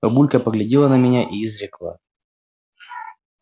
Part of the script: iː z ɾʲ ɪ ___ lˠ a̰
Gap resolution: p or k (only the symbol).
k